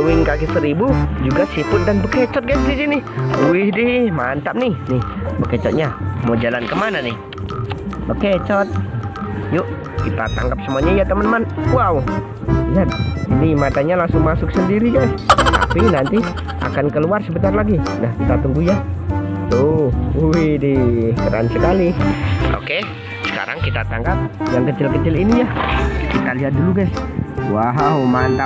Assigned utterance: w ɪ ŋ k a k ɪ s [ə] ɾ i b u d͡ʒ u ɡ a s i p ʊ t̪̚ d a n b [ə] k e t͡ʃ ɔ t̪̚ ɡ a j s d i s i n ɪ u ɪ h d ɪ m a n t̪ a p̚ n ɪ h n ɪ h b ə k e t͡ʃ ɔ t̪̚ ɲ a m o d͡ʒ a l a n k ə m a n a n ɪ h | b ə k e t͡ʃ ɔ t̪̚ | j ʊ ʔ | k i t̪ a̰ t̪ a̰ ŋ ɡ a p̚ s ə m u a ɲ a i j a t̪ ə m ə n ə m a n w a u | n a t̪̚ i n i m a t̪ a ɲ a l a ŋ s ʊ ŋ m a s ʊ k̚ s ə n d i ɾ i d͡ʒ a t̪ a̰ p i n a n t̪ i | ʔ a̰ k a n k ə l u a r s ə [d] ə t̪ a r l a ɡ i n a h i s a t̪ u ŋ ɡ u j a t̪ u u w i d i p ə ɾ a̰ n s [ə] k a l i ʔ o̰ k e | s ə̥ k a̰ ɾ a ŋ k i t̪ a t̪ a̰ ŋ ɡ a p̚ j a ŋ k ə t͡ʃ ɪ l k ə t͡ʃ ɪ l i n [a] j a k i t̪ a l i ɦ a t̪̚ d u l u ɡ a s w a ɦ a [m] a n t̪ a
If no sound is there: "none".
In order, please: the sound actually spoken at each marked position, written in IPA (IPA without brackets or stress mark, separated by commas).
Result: ə, ə, b, ə, i, m